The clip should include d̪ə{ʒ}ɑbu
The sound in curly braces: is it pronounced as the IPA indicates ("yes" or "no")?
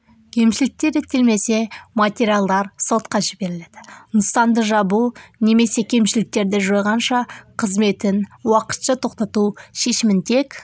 yes